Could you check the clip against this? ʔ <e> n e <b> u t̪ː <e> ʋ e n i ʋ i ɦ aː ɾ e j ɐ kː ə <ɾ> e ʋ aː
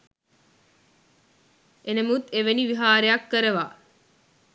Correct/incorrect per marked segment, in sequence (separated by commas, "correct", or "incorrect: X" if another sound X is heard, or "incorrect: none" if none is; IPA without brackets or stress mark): correct, incorrect: m, correct, correct